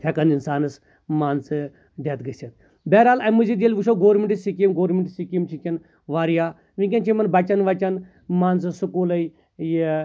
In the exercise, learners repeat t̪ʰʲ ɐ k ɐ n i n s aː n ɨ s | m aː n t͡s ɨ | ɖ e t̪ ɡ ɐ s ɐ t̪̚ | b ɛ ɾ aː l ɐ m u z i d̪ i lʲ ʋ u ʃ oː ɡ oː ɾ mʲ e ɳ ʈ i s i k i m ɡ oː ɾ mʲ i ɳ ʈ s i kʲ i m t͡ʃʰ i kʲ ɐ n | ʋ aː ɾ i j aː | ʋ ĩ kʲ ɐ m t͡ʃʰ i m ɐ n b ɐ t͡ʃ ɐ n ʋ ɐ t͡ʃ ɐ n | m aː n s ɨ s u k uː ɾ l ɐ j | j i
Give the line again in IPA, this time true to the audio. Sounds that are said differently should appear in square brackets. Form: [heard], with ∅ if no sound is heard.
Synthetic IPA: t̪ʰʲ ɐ k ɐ n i n s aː n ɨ s | m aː n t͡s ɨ | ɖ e t̪ ɡ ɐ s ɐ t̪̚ | b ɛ ɾ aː l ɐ m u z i d̪ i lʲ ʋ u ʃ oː ɡ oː ɾ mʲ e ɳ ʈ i s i k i m ɡ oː ɾ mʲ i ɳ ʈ s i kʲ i m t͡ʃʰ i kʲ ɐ n | ʋ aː ɾ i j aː | ʋ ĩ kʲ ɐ [n] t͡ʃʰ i m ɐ n b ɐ t͡ʃ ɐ n ʋ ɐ t͡ʃ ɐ n | m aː n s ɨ s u k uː [∅] l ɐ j | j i